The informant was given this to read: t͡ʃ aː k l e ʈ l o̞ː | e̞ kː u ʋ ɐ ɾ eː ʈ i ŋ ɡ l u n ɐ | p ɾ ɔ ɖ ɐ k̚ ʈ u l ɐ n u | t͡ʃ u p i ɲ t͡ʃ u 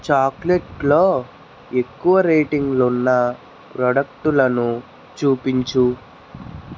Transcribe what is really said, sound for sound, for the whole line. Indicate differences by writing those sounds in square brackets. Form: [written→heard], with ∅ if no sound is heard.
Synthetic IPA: t͡ʃ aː k l e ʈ l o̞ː | e̞ kː u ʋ ɐ ɾ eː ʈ i ŋ ɡ l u [n→nː] ɐ | p ɾ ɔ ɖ ɐ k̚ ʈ u l ɐ n u | t͡ʃ [u→uː] p i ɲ t͡ʃ u